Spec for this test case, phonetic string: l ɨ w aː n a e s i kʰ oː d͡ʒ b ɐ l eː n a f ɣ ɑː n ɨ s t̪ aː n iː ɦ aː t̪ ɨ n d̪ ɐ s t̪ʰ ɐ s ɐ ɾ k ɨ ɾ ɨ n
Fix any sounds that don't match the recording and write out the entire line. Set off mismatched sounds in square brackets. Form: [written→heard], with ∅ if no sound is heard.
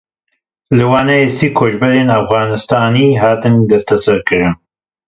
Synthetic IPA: l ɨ w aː n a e s i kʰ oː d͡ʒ b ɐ [l→ɾ] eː n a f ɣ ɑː n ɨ s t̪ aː n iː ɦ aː t̪ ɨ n d̪ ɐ s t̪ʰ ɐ s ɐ ɾ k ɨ ɾ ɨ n